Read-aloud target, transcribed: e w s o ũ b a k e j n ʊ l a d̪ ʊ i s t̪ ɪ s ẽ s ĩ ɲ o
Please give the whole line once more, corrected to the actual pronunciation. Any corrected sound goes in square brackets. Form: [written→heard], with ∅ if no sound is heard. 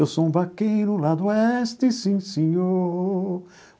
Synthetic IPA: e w s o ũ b a k e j n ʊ l a d̪ ʊ [i→ɛ] s t̪ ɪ s [ẽ→ĩ] s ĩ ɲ o